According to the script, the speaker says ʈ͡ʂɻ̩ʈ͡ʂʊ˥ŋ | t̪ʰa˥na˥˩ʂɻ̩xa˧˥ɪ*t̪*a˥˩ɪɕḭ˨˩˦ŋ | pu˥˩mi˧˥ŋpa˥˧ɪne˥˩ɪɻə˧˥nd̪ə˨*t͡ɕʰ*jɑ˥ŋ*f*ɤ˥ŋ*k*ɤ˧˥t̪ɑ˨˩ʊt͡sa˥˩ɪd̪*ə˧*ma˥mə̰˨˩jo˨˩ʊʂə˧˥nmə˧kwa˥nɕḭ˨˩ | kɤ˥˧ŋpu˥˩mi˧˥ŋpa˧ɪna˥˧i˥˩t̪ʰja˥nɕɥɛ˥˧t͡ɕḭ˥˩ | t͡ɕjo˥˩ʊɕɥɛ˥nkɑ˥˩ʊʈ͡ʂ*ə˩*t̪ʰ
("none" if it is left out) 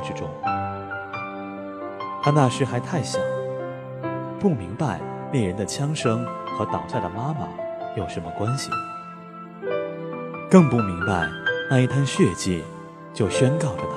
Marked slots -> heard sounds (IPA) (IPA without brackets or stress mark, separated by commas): t̪ʰ, t͡ɕʰ, ʂ, x, ə˩, ə˩